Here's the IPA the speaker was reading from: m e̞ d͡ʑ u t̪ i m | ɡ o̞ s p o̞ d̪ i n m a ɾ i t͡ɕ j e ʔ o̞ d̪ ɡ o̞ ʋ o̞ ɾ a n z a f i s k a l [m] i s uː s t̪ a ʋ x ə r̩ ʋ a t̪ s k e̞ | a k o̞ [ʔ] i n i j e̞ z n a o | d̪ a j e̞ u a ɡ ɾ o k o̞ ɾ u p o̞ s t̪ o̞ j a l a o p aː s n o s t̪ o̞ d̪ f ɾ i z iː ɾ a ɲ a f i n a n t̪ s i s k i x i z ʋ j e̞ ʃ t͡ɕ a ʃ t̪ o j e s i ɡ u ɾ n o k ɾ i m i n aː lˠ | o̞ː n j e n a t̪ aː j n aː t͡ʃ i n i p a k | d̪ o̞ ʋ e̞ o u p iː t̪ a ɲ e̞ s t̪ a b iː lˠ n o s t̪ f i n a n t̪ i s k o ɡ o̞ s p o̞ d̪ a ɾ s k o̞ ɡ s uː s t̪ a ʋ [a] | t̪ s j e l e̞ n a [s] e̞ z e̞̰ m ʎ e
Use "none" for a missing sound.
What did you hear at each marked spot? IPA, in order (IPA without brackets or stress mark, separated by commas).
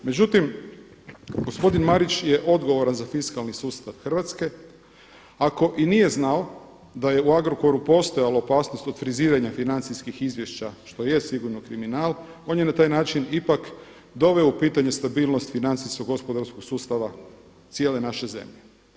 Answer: n, ʔ, a, ʃ